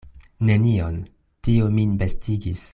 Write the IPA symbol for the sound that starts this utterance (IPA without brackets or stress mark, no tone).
n